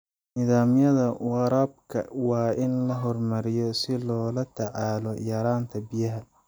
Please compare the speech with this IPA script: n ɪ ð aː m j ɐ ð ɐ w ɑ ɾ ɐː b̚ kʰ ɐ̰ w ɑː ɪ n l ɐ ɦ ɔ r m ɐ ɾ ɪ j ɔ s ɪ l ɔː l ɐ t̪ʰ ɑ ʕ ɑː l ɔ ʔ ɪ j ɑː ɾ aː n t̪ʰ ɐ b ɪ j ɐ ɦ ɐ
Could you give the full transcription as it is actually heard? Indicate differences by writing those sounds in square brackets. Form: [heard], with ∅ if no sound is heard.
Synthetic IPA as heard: n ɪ ð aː m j ɐ ð ɐ w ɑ ɾ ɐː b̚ kʰ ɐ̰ w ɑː ɪ n l ɐ ɦ ɔ r m ɐ ɾ ɪ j ɔ s ɪ l ɔː l ɐ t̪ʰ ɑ ʕ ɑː l ɔ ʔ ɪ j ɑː ɾ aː n t̪ʰ ɐ b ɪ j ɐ ɦ ɐ

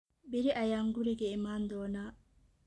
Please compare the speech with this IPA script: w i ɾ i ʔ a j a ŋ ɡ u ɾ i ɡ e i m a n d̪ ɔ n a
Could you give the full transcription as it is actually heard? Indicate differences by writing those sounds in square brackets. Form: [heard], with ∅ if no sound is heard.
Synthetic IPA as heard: [b] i ɾ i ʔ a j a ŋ ɡ u ɾ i ɡ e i m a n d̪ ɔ n a

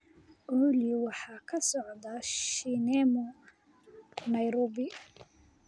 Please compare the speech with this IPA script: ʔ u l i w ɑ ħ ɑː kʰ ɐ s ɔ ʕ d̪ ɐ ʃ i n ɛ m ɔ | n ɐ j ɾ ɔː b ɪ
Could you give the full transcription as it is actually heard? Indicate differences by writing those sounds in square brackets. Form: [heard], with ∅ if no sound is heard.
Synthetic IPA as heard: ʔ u l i w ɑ ħ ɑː kʰ ɐ s ɔ ʕ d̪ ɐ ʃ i n ɛ m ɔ | n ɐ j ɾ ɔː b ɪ

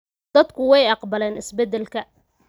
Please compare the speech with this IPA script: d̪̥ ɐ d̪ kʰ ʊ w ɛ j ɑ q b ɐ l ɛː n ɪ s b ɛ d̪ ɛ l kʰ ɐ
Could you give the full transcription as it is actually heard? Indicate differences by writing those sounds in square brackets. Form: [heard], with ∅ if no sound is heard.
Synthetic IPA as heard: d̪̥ ɐ d̪ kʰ ʊ w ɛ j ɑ q b ɐ l ɛː n ɪ s b ɛ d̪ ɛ l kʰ ɐ

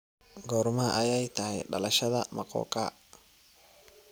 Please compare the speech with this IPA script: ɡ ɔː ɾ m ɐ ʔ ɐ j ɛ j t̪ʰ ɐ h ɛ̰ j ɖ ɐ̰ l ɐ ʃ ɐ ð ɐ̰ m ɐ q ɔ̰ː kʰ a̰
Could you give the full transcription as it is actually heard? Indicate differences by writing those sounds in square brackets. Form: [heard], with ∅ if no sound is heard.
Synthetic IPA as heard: ɡ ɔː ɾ m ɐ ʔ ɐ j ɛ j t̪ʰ ɐ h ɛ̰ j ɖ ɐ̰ l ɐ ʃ ɐ ð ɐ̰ m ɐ q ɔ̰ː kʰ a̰

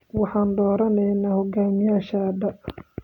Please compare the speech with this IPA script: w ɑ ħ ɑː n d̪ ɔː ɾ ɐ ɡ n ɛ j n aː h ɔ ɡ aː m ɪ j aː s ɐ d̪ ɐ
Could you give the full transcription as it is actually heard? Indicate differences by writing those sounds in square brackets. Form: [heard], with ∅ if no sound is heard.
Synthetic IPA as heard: w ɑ ħ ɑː n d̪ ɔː ɾ ɐ [∅] n ɛ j n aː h ɔ ɡ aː m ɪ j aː [ʃ] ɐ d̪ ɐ

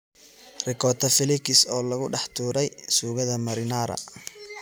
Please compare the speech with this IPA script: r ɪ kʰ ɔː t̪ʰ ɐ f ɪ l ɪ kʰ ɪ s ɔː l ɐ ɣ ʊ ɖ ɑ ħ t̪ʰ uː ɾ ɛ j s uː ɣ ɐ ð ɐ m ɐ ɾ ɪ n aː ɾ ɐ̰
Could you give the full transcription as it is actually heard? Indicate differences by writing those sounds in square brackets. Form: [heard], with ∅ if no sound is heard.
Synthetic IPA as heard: r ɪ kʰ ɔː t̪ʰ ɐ f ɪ l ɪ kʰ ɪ s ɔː l ɐ ɣ ʊ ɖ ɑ ħ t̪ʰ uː ɾ ɛ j s uː ɣ ɐ ð ɐ m ɐ ɾ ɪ n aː ɾ ɐ̰

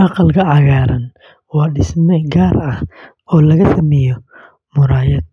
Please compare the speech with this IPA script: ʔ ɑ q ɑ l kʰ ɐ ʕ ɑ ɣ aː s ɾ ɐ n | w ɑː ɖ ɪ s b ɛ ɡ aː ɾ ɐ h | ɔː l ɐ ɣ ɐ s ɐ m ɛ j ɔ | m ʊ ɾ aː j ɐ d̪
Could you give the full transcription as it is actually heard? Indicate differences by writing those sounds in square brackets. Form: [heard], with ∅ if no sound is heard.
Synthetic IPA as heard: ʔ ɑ q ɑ l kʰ ɐ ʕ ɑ ɣ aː [∅] ɾ ɐ n | w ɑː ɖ ɪ s [m] ɛ ɡ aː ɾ ɐ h | ɔː l ɐ ɣ ɐ s ɐ m ɛ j ɔ | m ʊ ɾ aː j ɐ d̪

